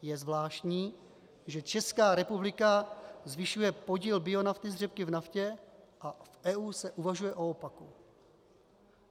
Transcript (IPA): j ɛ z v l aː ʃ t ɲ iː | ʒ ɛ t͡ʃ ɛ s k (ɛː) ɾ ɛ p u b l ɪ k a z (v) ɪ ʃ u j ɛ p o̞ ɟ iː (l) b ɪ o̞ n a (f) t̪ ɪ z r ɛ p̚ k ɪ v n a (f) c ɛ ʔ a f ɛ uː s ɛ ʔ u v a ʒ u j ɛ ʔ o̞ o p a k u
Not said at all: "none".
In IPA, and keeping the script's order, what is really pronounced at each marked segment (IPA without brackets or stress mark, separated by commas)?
aː, v, l, f, f